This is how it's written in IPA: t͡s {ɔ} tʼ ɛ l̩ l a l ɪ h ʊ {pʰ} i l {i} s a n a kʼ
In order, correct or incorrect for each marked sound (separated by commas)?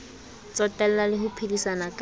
correct, correct, correct